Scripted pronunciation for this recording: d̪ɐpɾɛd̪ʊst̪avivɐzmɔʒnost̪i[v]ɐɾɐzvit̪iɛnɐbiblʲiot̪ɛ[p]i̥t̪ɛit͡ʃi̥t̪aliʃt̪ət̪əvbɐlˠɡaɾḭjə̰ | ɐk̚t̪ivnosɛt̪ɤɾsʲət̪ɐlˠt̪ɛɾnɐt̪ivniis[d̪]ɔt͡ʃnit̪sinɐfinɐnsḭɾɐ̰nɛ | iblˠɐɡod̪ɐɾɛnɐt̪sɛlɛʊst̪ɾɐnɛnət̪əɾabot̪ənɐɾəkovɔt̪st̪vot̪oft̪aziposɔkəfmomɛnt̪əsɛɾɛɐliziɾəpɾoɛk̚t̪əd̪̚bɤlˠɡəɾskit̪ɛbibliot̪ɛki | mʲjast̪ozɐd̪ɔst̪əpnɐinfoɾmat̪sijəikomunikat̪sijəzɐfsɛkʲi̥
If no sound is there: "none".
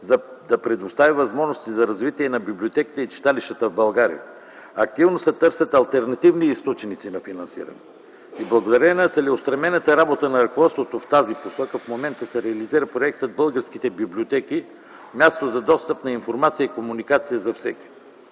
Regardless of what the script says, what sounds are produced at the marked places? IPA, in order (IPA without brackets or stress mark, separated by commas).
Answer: z, k, t̪